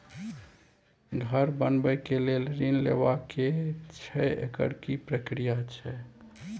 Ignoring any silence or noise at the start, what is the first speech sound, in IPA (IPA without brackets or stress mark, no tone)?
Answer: ɡʱ